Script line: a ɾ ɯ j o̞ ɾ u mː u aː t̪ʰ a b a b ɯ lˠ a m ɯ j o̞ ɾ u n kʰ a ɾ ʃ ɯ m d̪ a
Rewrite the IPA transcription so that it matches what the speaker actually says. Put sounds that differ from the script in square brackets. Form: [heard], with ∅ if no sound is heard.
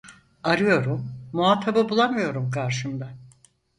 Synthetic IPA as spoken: a ɾ ɯ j o̞ ɾ u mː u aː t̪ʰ a b a b [u] lˠ a m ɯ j o̞ ɾ u [m] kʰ a ɾ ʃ ɯ m d̪ a